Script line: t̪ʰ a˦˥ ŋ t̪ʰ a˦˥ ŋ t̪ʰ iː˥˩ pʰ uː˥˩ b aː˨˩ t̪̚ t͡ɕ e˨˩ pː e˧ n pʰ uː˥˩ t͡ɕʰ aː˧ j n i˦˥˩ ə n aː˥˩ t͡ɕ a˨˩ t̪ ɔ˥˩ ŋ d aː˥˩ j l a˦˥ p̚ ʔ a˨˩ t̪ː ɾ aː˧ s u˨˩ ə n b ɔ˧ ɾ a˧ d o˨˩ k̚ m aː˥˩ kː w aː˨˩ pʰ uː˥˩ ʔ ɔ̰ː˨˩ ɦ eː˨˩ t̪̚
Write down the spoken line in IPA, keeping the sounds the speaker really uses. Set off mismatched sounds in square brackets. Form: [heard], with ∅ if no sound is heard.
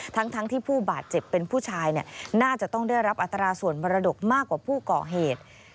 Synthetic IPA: t̪ʰ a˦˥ ŋ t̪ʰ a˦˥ ŋ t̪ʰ iː˥˩ pʰ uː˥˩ b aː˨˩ t̪̚ t͡ɕ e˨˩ pː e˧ n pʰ uː˥˩ t͡ɕʰ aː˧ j n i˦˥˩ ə n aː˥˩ t͡ɕ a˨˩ t̪ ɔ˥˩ ŋ d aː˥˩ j [ɾ] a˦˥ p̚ ʔ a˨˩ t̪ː ɾ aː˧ s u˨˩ ə n b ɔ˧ ɾ a˧ d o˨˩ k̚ m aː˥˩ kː w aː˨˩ pʰ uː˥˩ [k] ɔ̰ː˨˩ ɦ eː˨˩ t̪̚